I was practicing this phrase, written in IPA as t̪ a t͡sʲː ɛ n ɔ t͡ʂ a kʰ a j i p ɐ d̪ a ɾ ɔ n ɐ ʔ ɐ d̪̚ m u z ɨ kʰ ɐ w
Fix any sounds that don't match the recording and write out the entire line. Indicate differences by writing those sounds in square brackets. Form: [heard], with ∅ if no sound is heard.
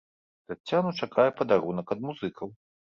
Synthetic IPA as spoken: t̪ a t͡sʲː [a] n [u] t͡ʂ a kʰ a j [ɛ] p ɐ d̪ a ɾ [u] n ɐ [k] ɐ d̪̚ m u z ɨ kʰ ɐ w